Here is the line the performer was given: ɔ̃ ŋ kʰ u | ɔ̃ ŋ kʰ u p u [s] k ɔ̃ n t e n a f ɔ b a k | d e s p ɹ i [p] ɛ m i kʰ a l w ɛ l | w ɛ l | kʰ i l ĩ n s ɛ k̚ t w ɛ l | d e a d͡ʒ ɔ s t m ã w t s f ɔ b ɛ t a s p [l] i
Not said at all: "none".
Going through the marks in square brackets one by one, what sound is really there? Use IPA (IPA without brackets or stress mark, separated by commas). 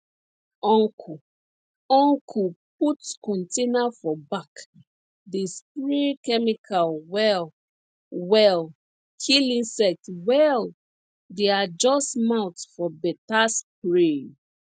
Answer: t, k, ɹ